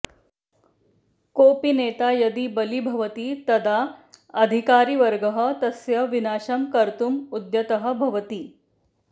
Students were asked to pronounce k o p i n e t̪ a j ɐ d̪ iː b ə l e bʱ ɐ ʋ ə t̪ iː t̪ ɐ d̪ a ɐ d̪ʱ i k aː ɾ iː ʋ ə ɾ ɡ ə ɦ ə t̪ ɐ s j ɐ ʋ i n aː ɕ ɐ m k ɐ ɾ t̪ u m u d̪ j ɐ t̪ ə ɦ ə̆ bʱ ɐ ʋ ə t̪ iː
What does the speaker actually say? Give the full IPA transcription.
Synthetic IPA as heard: k o p i n e t̪ a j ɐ d̪ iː b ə l i bʱ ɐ ʋ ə t̪ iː t̪ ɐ d̪ a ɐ d̪ʱ i k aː ɾ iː ʋ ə ɾ ɡ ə ɦ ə t̪ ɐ s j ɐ ʋ i n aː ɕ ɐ m k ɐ ɾ t̪ u m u d̪ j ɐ t̪ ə ɦ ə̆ bʱ ɐ ʋ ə t̪ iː